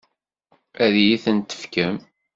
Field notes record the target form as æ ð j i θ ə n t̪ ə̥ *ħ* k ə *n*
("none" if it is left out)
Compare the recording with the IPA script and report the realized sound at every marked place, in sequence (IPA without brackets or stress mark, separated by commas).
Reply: f, m